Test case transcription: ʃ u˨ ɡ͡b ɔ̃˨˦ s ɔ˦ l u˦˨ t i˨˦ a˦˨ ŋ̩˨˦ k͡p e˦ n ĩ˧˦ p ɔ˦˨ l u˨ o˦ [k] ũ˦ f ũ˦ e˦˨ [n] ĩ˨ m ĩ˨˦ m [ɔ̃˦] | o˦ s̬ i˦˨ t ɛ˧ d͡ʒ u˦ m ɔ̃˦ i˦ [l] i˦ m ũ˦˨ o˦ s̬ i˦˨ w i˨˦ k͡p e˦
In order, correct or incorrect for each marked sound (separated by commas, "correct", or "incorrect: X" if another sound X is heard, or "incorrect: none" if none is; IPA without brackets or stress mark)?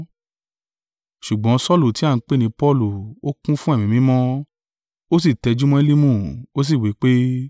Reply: correct, incorrect: m, correct, correct